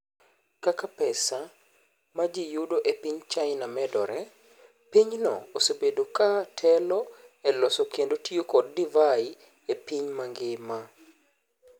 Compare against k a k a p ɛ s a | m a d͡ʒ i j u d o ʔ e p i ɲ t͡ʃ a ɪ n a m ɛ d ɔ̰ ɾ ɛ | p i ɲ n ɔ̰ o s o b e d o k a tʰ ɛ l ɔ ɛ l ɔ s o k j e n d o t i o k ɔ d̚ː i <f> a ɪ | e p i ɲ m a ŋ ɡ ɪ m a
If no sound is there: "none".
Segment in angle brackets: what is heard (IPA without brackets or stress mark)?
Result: v